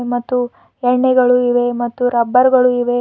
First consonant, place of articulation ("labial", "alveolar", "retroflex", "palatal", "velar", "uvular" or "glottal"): labial